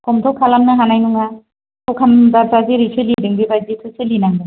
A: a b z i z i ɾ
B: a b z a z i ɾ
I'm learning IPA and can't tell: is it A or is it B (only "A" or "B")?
B